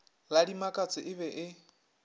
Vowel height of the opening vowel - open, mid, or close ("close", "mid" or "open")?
open